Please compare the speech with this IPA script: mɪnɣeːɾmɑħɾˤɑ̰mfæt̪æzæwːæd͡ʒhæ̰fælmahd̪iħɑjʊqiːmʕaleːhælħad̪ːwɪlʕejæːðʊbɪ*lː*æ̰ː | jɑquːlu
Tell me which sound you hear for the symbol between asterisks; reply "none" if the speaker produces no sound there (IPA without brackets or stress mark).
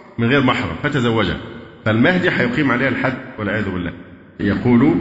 lː